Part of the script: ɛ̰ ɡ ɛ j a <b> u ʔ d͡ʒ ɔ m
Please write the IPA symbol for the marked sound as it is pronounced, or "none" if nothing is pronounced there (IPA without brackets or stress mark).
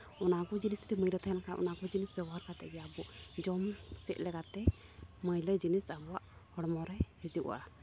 b